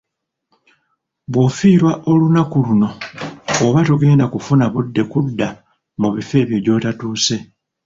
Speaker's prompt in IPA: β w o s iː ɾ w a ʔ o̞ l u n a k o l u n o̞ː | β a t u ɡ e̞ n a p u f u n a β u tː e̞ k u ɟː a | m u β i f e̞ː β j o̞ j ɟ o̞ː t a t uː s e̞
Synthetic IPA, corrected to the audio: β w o f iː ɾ w a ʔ o̞ l u n a k u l u n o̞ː | β a t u ɡ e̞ n a k u f u n a β u dː e̞ k u dː a | m u β i f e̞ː β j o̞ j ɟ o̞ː t a t uː s e̞